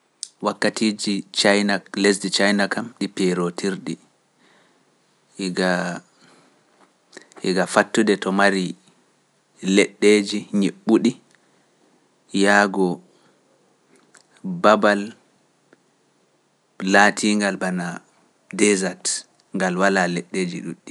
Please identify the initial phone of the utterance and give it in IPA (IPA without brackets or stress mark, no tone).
w